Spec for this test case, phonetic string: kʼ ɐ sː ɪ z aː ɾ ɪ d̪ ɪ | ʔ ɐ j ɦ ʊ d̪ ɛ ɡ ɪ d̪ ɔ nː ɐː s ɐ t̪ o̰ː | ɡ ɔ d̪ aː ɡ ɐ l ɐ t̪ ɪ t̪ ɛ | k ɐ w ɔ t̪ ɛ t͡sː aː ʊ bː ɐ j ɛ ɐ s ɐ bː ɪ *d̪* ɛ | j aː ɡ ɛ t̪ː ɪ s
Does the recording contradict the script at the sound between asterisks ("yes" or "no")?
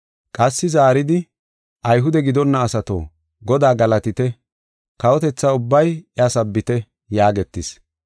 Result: yes